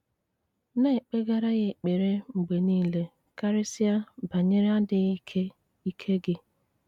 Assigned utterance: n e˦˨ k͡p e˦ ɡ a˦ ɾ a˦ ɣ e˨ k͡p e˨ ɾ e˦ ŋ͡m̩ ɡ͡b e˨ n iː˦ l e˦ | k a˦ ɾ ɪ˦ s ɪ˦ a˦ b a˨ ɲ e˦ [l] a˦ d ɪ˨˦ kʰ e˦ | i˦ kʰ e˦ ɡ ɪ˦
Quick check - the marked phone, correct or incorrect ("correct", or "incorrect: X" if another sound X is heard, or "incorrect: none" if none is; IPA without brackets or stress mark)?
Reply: incorrect: ɾ